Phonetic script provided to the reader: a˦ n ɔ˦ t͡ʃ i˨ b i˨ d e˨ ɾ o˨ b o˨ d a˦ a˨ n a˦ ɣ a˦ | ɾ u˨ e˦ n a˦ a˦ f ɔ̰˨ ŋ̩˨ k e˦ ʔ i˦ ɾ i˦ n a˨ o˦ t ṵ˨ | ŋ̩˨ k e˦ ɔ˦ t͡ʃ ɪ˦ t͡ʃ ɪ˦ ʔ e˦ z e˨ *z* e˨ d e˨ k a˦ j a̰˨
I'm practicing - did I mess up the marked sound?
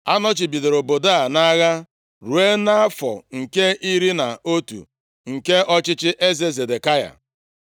no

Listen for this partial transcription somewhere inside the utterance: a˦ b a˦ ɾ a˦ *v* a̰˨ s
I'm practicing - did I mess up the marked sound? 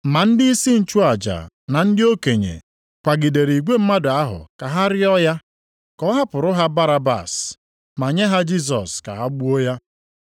yes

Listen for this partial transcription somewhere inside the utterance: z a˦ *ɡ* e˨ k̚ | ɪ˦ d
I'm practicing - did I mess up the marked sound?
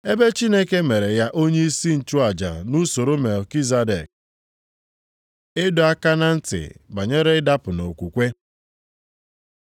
yes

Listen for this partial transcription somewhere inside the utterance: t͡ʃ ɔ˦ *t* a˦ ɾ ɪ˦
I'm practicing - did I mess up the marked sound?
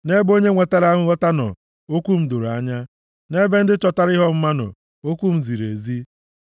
no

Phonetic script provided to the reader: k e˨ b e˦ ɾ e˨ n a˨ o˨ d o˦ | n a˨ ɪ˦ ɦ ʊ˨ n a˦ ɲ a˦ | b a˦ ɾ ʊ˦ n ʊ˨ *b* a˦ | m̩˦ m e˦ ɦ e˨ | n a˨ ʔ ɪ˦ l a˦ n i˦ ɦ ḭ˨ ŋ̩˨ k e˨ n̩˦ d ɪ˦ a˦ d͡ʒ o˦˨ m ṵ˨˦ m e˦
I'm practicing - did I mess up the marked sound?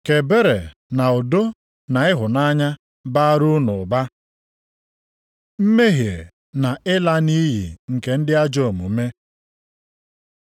no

